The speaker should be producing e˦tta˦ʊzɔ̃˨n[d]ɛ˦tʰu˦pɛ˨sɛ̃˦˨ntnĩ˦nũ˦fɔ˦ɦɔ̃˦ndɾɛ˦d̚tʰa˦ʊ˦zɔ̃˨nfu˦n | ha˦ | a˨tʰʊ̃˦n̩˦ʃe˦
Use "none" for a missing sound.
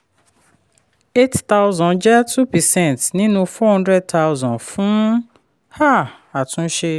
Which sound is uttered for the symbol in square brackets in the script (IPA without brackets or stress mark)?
d͡ʒ